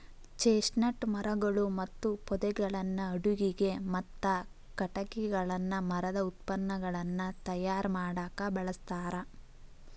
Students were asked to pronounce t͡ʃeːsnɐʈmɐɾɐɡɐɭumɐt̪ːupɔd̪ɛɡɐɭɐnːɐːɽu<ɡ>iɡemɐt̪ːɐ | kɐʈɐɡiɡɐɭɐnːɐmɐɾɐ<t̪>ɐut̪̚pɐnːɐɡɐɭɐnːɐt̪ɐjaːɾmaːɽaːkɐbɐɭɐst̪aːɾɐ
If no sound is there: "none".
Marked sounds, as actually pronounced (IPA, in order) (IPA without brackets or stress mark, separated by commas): ɡ, d̪